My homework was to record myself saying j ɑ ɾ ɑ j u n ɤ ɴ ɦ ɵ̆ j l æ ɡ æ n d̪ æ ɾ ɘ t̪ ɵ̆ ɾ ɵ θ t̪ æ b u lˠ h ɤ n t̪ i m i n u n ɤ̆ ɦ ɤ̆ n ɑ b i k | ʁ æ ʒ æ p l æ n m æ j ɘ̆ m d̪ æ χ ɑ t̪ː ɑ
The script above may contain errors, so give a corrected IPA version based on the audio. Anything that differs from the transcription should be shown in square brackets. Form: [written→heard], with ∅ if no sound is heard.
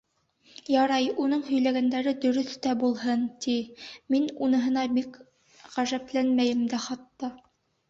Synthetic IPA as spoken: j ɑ ɾ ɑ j u n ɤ ɴ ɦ ɵ̆ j l æ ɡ æ n d̪ æ ɾ ɘ [t̪→d̪] ɵ̆ ɾ ɵ θ t̪ æ b u lˠ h ɤ n t̪ i m i n u n ɤ̆ ɦ ɤ̆ n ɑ b i k | ʁ æ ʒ æ p l æ n m æ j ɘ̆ m d̪ æ χ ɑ t̪ː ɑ